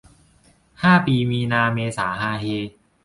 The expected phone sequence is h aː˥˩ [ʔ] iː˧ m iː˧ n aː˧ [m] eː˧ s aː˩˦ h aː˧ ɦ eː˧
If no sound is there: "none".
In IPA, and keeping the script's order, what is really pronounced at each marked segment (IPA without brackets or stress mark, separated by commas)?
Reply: p, m